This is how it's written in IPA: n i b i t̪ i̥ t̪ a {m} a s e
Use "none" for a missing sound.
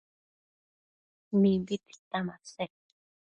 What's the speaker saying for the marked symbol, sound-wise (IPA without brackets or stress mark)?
m